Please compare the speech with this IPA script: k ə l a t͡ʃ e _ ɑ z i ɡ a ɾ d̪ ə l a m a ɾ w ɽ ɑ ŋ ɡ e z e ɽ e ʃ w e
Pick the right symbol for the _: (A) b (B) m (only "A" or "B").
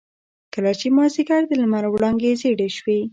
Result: B